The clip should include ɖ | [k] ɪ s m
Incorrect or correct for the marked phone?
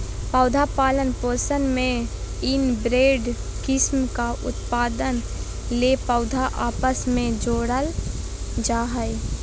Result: correct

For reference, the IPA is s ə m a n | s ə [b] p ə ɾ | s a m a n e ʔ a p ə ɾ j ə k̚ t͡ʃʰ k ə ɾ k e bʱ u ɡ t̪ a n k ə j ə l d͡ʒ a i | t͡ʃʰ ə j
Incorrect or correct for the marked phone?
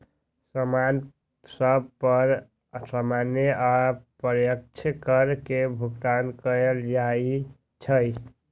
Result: correct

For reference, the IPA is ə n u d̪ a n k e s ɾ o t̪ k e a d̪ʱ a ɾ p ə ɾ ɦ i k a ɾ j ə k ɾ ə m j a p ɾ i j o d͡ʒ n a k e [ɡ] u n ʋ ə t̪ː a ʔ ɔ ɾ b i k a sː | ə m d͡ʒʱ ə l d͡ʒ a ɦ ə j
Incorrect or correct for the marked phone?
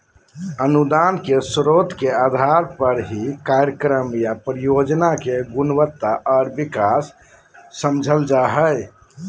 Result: correct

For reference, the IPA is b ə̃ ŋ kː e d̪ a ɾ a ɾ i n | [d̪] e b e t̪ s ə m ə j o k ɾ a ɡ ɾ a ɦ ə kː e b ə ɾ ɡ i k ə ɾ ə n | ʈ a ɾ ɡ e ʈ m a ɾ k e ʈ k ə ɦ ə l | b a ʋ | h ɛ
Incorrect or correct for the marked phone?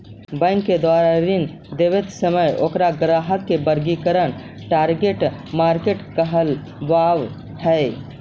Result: correct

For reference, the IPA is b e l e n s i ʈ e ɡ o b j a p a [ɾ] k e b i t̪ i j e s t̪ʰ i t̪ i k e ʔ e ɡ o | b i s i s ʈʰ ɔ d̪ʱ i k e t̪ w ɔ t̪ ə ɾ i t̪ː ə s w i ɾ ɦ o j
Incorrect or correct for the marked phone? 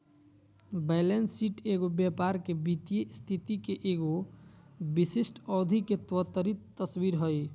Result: correct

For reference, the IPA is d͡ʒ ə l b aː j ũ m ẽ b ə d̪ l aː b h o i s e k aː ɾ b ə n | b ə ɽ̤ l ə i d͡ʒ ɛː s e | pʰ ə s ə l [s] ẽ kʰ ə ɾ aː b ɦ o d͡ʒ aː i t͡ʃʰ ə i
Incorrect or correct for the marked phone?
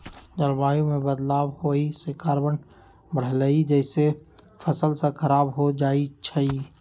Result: correct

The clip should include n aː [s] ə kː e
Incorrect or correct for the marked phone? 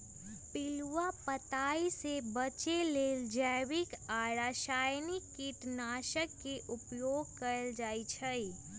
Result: incorrect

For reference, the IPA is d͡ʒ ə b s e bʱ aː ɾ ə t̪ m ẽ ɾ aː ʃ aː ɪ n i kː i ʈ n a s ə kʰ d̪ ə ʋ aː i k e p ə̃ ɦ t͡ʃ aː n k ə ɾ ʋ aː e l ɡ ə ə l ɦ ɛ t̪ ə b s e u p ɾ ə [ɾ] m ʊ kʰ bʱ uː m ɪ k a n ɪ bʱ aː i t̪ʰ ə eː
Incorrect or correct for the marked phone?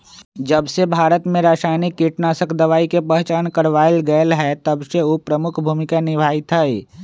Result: incorrect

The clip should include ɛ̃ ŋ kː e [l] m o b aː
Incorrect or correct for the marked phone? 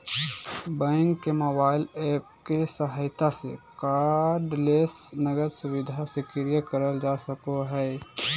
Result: incorrect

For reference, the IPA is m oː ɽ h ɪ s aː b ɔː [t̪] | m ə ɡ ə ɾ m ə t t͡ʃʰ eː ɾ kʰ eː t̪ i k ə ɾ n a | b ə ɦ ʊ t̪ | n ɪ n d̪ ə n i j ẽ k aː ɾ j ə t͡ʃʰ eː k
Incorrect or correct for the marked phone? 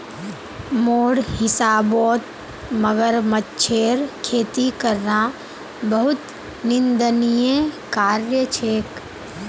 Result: correct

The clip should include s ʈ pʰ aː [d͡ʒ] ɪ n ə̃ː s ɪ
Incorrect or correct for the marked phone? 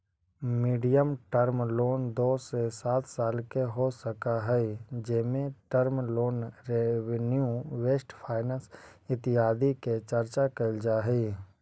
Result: incorrect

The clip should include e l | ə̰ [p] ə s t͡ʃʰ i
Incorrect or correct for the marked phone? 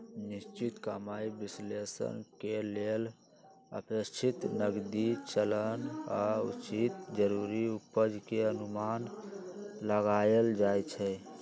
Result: correct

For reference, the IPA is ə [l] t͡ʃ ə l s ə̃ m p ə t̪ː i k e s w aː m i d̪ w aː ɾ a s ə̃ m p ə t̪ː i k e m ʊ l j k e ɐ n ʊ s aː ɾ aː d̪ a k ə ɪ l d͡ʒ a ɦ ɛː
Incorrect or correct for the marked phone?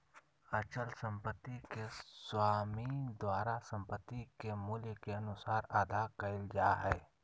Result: incorrect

